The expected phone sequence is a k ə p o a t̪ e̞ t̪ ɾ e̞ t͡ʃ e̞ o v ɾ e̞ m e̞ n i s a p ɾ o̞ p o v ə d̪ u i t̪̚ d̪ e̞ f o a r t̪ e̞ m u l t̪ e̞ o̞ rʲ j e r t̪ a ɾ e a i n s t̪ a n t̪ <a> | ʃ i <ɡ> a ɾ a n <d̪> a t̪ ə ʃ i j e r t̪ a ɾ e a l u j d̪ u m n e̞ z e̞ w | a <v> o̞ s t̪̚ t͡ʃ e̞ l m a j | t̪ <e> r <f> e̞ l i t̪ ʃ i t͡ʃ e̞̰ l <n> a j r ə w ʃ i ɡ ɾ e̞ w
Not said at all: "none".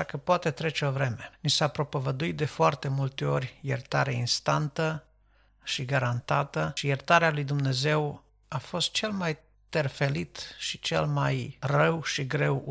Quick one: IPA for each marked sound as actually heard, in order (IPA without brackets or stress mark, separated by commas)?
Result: ə, ɡ, t̪, f, e, f, m